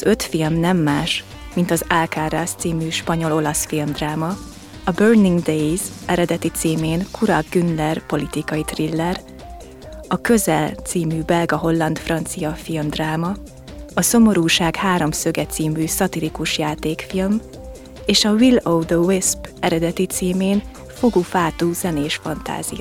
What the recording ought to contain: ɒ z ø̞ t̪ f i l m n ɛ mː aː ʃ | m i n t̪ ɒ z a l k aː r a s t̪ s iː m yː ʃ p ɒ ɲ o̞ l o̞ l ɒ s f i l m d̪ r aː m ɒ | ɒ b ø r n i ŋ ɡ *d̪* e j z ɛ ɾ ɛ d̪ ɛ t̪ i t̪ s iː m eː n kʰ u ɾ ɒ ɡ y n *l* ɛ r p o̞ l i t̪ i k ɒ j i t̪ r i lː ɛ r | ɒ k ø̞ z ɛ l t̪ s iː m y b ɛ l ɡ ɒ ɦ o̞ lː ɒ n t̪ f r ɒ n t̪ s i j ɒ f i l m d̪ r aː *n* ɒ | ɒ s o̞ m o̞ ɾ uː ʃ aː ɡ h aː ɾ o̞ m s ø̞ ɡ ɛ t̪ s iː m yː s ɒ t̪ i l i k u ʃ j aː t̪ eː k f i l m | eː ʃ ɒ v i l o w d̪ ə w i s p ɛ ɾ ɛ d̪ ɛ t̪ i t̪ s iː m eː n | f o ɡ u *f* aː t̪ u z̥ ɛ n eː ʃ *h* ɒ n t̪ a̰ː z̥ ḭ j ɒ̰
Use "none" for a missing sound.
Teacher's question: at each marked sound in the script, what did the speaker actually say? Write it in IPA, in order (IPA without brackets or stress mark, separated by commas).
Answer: d̪, l, m, f, f